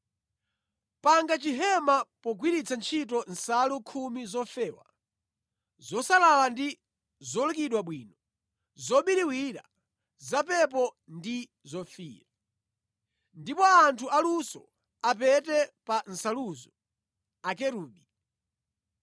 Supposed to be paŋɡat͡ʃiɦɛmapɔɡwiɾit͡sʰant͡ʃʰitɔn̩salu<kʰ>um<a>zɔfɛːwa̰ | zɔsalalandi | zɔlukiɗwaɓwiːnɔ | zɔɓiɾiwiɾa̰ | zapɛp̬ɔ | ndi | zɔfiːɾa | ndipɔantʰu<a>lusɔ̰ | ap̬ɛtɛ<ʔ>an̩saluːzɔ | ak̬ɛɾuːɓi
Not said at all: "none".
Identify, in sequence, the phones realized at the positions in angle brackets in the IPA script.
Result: kʰ, i, a, p

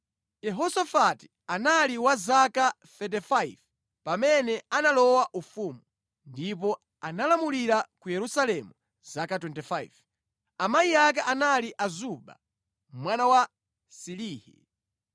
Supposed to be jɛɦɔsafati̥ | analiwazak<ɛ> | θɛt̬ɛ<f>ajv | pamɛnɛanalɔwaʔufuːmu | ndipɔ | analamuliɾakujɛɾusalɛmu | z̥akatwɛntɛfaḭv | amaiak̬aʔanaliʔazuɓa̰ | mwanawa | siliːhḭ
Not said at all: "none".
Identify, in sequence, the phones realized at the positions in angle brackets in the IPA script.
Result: a, f

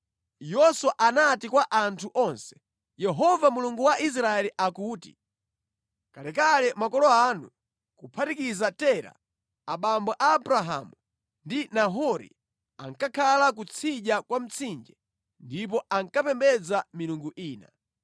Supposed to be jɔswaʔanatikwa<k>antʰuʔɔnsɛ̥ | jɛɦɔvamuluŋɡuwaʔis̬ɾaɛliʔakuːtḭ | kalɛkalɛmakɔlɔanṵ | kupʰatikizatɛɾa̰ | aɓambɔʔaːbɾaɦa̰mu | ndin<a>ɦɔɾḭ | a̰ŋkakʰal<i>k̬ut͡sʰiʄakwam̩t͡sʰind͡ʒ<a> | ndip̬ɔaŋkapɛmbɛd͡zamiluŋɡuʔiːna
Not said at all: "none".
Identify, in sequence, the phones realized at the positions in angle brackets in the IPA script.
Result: ʔ, a, a, ɛ

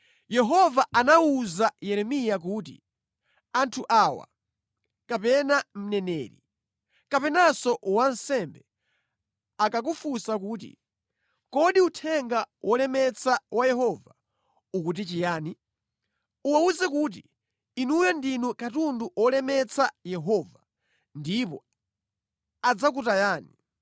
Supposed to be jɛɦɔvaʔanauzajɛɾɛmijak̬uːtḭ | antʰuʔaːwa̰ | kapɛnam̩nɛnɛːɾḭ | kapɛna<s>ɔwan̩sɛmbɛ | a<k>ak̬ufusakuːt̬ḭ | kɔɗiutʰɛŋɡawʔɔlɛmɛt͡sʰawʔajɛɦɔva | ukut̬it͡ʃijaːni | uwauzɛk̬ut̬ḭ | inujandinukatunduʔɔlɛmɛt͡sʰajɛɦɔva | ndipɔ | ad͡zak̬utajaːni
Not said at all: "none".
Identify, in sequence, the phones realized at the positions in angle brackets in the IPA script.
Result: s, k

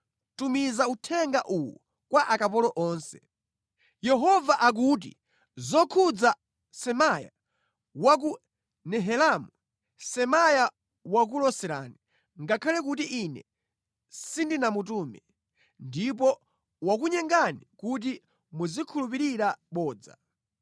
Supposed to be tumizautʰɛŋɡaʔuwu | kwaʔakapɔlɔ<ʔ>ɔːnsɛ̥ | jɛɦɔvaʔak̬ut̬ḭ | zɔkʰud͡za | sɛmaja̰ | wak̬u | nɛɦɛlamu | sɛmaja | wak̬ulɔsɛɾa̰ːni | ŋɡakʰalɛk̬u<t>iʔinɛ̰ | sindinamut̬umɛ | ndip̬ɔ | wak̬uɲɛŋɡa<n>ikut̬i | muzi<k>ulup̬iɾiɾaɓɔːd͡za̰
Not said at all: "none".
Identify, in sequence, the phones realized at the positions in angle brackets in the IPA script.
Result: ʔ, t, n, kʰ

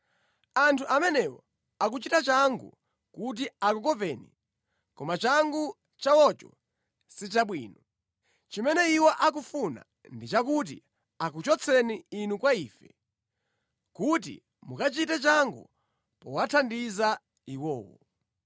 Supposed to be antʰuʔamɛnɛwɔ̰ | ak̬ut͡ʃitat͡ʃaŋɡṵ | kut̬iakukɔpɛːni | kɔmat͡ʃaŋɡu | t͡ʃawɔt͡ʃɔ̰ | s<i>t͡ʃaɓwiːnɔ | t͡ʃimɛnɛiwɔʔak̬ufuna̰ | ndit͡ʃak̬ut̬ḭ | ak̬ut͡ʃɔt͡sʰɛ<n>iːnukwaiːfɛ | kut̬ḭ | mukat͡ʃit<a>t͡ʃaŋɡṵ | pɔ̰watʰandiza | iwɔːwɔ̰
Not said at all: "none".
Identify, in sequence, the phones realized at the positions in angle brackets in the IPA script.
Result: i, n, ɛ

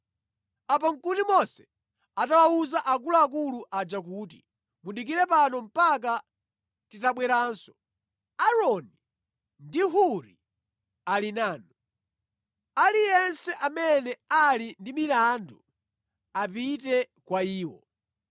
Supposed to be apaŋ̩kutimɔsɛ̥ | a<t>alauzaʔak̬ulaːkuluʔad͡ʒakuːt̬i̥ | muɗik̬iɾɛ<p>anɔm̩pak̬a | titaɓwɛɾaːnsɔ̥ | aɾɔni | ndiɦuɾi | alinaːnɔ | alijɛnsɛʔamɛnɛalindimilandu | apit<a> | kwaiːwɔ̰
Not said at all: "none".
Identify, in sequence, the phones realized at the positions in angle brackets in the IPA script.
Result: t, p, ɛ

